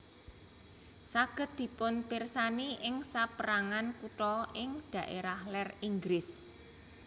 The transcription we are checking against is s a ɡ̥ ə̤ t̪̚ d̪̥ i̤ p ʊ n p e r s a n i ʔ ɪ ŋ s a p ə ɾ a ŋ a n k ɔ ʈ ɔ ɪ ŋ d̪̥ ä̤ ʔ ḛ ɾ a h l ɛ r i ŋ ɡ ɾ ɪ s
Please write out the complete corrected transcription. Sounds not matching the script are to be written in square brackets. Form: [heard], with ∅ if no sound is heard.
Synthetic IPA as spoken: s a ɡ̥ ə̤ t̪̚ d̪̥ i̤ p ʊ n p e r s a n i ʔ ɪ ŋ s a p ə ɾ a ŋ a n k [u] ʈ ɔ ɪ ŋ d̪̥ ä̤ ʔ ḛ ɾ a h l ɛ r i ŋ ɡ ɾ ɪ s